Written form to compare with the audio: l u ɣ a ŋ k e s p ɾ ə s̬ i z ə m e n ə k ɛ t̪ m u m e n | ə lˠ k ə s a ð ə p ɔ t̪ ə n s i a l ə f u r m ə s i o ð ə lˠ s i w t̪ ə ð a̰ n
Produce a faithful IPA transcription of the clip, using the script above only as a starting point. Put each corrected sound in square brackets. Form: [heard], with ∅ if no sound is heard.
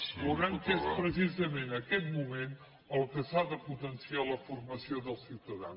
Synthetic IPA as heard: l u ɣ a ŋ k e s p ɾ ə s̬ i z ə m e n ə k ɛ t̪ m u m e n | ə lˠ k ə s a ð ə p [u] t̪ ə n s i a l ə f u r m ə s i o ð ə lˠ s i w t̪ ə ð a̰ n